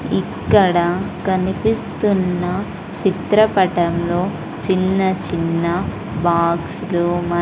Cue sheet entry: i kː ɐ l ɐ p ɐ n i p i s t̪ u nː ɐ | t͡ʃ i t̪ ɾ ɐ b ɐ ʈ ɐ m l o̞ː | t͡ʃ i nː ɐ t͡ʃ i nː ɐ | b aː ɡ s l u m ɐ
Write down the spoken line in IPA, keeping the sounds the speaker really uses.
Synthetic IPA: i kː ɐ ɽ ɐ k ɐ n i p i s t̪ u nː ɐ | t͡ʃ i t̪ ɾ ɐ p ɐ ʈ ɐ m l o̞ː | t͡ʃ i nː ɐ t͡ʃ i nː ɐ | b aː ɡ s l u m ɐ

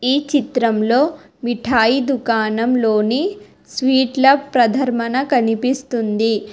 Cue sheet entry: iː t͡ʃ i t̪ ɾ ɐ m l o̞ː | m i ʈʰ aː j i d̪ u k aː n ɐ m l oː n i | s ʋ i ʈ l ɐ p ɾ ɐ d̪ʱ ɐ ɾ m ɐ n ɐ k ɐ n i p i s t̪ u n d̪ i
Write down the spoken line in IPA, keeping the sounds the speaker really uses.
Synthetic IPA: iː t͡ʃ i t̪ ɾ ɐ m l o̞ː | m i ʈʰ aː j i d̪ u k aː n ɐ m l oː n i | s ʋ iː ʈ l ɐ p ɾ ɐ d̪ʱ ɐ ɾ m ɐ n ɐ k ɐ n i p i s t̪ u n d̪ i

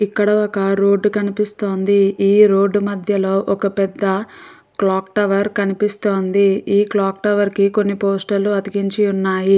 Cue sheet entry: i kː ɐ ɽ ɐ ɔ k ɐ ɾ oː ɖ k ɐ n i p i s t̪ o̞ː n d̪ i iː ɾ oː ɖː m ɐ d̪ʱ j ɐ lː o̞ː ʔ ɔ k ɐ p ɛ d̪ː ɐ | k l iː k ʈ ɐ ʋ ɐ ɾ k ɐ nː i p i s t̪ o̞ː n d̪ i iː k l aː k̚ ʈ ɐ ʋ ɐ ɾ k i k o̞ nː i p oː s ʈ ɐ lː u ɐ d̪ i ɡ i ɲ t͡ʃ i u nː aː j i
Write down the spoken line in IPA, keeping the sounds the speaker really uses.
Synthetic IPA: i kː ɐ ɽ ɐ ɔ k ɐ ɾ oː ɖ k ɐ n i p i s t̪ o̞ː n d̪ i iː ɾ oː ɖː m ɐ d̪ʱ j ɐ l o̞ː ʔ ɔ k ɐ p ɛ d̪ː ɐ | k l aː k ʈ ɐ ʋ ɐ ɾ k ɐ n i p i s t̪ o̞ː n d̪ i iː k l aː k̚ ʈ ɐ ʋ ɐ ɾ k i k o̞ nː i p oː s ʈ ɐ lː u ɐ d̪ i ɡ i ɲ t͡ʃ i u nː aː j i

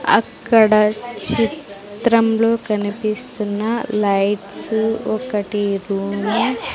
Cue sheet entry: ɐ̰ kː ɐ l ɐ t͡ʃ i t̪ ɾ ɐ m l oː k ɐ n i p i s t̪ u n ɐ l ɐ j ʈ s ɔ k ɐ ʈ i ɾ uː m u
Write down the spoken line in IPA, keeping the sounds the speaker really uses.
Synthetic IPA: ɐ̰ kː ɐ ɽ ɐ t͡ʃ i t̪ ɾ ɐ m l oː k ɐ n i p i s t̪ u nː ɐ l ɐ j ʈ s ɔ k ɐ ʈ i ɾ uː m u

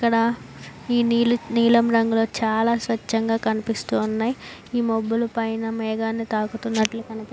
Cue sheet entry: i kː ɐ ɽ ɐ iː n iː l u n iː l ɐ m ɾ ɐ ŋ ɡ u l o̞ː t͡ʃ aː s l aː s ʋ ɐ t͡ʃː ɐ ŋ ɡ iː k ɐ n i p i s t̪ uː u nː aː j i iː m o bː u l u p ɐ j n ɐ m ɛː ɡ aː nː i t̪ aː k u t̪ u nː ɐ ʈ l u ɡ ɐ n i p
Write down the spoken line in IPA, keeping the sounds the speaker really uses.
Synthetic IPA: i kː ɐ ɽ ɐ iː n iː l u n iː l ɐ m ɾ ɐ ŋ ɡ u l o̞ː t͡ʃ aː l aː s ʋ ɐ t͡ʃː ɐ ŋ ɡ aː k ɐ n i p i s t̪ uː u nː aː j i iː m o bː u l u p ɐ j n ɐ m ɛː ɡ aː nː i t̪ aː k u t̪ u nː ɐ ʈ l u k ɐ n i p

